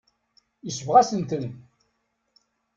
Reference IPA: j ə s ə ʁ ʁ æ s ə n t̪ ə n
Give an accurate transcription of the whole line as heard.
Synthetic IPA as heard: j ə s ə v ʁ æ s ə n t̪ ə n